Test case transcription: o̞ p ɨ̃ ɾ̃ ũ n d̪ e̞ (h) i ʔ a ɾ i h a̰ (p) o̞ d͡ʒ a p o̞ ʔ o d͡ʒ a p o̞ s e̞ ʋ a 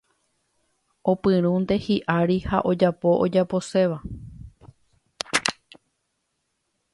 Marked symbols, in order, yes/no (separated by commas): yes, no